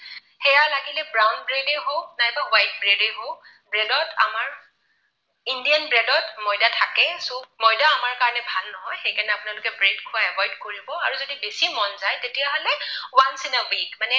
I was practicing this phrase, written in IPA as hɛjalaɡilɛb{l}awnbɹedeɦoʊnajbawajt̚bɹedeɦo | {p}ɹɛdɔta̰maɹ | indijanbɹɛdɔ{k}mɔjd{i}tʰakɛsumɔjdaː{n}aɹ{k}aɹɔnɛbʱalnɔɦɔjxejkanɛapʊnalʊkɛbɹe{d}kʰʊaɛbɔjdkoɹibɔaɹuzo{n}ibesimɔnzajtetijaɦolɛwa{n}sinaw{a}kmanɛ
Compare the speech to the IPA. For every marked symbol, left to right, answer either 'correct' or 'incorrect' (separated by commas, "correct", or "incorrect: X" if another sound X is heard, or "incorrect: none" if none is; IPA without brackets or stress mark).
incorrect: ɹ, incorrect: b, incorrect: t, incorrect: a, incorrect: m, correct, correct, incorrect: d, correct, incorrect: i